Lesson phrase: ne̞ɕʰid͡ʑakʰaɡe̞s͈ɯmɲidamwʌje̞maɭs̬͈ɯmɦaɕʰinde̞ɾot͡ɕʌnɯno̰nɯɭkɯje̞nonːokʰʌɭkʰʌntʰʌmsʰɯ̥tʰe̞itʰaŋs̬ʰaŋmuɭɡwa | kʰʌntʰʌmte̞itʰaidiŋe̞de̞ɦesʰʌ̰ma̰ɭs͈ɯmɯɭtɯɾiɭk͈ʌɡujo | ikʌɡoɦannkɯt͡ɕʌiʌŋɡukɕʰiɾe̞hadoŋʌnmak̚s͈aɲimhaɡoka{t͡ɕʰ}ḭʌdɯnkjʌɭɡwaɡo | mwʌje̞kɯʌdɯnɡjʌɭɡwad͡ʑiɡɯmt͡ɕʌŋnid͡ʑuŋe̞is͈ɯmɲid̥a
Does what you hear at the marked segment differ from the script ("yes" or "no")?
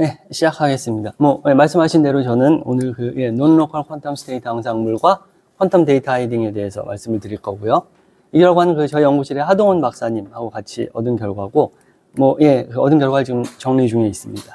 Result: no